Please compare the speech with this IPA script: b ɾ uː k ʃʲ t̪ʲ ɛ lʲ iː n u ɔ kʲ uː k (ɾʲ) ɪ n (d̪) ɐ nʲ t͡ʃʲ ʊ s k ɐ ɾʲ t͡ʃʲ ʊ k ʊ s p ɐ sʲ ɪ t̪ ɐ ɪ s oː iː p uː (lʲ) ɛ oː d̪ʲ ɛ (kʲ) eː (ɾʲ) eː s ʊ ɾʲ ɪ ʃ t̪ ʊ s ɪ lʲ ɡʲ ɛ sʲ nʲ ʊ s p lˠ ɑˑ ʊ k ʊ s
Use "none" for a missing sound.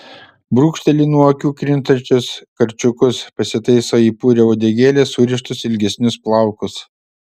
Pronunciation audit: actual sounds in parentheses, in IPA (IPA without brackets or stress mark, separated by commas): ɾʲ, t̪, ɾʲ, ɡʲ, lʲ